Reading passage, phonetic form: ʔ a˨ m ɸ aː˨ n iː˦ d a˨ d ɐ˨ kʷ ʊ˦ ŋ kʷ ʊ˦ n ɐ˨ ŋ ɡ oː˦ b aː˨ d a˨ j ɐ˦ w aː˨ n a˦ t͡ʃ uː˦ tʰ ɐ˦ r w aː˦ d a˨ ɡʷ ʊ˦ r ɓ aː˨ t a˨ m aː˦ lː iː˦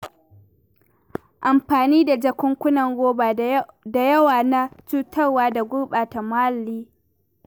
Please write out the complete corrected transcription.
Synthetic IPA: ʔ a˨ m ɸ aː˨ n iː˦ d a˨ d͡ʒ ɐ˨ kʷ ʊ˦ ŋ kʷ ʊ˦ n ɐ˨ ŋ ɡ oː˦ b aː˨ d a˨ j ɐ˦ w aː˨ n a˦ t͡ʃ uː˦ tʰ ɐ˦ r w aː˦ d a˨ ɡʷ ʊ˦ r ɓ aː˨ t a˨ m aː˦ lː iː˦